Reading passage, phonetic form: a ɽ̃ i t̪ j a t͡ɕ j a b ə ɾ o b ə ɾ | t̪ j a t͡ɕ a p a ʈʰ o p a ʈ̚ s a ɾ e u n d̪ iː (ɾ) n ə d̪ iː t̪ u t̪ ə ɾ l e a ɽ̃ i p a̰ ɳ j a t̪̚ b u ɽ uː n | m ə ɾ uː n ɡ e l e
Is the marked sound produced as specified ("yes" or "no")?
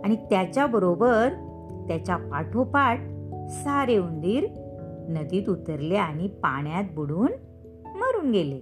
yes